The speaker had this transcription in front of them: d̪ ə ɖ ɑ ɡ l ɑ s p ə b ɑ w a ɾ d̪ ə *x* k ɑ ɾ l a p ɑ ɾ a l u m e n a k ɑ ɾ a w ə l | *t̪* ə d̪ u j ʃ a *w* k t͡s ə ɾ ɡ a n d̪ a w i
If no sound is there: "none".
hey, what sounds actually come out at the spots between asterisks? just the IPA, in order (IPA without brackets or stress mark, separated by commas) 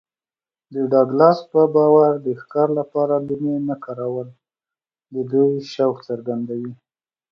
x, d̪, w